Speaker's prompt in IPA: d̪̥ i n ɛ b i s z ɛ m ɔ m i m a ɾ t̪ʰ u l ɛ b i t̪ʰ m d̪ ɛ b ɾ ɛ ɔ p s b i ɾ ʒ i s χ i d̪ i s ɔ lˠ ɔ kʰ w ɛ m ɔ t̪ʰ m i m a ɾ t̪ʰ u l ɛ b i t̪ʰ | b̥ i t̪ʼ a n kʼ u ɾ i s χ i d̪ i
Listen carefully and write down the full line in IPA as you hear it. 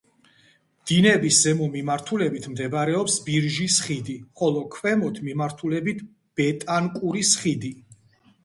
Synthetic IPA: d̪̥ i n ɛ b i s z ɛ m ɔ m i m a ɾ t̪ʰ u l ɛ b i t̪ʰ m d̪ ɛ b ɾ ɛ ɔ p s b i ɾ ʒ i s χ i d̪ i χ ɔ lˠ ɔ kʰ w ɛ m ɔ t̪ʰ m i m a ɾ t̪ʰ u l ɛ b i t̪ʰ | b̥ ɛ t̪ʼ a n kʼ u ɾ i s χ i d̪ i